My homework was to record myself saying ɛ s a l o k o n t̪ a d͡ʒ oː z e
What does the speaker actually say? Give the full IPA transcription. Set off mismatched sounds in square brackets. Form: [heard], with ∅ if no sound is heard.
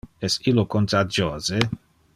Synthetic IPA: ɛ s [i] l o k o n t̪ a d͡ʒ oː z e